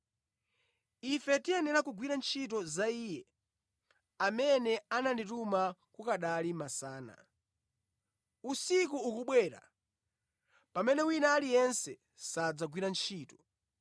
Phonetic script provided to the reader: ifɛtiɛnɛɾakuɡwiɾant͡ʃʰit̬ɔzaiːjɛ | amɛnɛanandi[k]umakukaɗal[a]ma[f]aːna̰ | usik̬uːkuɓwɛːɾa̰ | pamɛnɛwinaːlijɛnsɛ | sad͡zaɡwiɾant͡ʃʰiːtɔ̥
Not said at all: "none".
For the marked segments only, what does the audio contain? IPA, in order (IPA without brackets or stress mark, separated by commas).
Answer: t, i, s